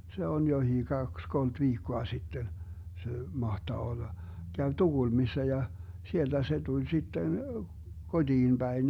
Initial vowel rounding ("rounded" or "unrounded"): unrounded